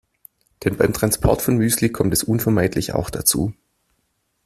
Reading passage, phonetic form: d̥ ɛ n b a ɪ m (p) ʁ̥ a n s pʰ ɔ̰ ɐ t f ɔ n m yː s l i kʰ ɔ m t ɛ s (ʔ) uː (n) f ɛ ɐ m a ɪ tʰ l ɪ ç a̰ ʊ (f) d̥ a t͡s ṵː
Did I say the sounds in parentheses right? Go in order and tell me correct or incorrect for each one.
incorrect: t, correct, correct, incorrect: x

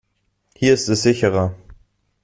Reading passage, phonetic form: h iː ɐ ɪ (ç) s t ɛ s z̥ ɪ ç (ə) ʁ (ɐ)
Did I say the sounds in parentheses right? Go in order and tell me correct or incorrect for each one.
incorrect: none, correct, correct

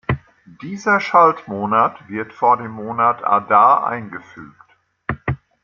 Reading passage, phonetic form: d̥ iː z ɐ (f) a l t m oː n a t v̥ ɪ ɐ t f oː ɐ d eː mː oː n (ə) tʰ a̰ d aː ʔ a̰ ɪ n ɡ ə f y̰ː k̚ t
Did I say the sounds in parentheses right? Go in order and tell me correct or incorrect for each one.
incorrect: ʃ, incorrect: a

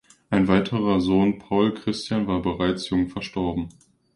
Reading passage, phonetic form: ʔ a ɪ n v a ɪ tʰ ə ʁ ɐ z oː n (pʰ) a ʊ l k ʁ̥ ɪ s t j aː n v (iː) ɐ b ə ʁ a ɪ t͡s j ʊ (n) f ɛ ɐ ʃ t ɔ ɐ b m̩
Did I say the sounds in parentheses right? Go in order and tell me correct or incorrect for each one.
correct, incorrect: aː, incorrect: ŋ

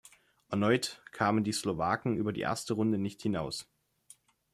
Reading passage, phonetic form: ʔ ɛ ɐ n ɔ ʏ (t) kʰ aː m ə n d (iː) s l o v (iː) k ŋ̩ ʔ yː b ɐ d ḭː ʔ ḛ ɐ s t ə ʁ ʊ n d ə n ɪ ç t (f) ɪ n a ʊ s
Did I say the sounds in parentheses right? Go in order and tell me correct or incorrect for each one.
correct, correct, incorrect: aː, incorrect: h

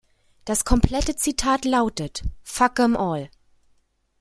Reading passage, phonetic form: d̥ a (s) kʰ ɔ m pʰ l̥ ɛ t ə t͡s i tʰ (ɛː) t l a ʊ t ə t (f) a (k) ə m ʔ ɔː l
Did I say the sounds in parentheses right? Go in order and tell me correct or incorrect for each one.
correct, incorrect: aː, correct, correct

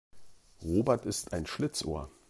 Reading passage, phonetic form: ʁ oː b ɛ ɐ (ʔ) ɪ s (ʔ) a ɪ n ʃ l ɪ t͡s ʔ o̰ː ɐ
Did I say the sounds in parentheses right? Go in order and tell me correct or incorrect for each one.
incorrect: t, incorrect: t

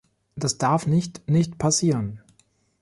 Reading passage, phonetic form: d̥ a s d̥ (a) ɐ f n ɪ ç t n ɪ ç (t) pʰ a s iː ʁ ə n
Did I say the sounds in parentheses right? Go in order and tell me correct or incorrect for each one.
correct, correct

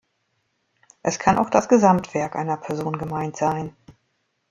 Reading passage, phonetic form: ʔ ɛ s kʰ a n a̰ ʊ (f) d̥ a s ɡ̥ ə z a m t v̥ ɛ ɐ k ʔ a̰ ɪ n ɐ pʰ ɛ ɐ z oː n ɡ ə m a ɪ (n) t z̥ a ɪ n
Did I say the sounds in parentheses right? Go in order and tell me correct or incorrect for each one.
incorrect: x, correct

